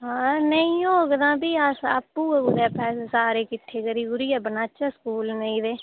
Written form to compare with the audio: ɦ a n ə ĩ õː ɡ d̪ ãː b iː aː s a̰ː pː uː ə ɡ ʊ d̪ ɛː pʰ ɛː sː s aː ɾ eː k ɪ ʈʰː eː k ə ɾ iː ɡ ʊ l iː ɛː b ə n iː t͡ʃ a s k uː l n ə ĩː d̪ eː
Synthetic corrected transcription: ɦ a n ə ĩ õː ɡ d̪ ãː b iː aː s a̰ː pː uː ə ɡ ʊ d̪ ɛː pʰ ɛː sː s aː ɾ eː k ɪ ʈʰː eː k ə ɾ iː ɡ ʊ ɾ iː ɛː b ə n aː t͡ʃ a s k uː l n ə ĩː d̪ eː